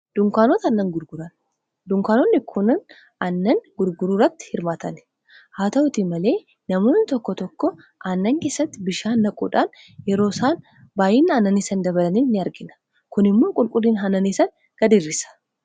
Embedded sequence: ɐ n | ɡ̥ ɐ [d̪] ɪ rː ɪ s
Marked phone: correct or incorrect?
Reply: correct